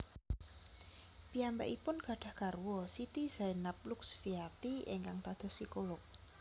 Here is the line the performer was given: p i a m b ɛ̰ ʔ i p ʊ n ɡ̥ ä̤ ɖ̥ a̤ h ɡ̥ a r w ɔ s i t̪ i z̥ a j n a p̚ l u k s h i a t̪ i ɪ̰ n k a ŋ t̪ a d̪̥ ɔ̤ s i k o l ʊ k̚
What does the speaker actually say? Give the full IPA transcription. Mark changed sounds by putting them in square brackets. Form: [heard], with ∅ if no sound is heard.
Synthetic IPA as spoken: p i a m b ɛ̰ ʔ i p ʊ n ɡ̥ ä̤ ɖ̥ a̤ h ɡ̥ a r w ɔ s i t̪ i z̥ a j n a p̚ l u k s [f] i a t̪ i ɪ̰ [ŋ] k a ŋ t̪ a d̪̥ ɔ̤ s i k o l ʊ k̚

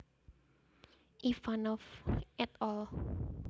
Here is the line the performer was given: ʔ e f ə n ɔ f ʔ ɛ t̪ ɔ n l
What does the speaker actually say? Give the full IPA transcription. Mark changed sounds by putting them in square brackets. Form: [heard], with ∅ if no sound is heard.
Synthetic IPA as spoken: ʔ [i] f [a] n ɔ f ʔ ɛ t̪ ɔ [∅] l

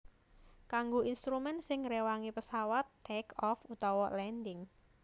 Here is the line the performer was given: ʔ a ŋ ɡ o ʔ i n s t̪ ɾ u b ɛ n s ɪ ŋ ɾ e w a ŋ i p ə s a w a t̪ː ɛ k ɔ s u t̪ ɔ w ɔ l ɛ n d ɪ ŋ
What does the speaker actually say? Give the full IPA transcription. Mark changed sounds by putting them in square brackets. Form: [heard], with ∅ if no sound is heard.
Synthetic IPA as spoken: [k] a ŋ ɡ o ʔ i n s t̪ ɾ u [m] ɛ n s ɪ ŋ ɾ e w a ŋ i p ə s a w a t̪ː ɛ k ɔ [f] u t̪ ɔ w ɔ l ɛ n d ɪ ŋ

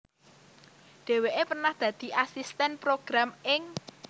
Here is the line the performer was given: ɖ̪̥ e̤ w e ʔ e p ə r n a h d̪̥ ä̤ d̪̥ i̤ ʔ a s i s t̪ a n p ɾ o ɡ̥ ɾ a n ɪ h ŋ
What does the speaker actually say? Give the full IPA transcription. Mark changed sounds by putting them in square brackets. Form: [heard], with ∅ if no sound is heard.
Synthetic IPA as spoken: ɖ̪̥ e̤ w e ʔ e p ə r n a h d̪̥ ä̤ d̪̥ i̤ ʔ a s i s t̪ [ɛ] n p ɾ o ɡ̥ ɾ a [m] ɪ [∅] ŋ

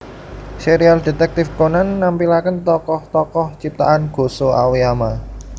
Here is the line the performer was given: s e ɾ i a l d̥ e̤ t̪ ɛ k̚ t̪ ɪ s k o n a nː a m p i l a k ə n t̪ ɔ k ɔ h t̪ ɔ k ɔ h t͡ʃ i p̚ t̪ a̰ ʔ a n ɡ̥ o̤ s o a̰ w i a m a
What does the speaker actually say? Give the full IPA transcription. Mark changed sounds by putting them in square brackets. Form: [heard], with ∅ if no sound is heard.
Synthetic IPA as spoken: s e ɾ i a l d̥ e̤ t̪ ɛ k̚ t̪ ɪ [f] k o n a nː a m p i l a k ə n t̪ ɔ k ɔ h t̪ ɔ k ɔ h t͡ʃ i p̚ t̪ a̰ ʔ a n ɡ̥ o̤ s o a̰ w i a m a

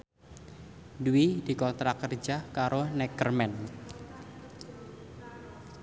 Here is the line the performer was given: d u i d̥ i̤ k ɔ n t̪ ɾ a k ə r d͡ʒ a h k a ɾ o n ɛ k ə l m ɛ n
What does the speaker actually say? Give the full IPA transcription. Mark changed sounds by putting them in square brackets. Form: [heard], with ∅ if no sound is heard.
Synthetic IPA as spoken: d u i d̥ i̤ k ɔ n t̪ ɾ a k ə r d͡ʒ a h k a ɾ o n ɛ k ə [r] m ɛ n

